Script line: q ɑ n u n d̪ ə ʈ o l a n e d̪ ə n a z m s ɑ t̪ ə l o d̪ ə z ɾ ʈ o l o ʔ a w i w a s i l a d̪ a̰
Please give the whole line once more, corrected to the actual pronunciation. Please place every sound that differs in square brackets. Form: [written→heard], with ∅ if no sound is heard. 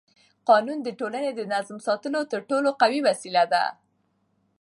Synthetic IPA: q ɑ n u n d̪ ə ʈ o l a n e d̪ ə n a z m s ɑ t̪ ə l o [d̪→t̪] ə [z→∅] ɾ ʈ o l o [ʔ→q] a w i w a s i l a d̪ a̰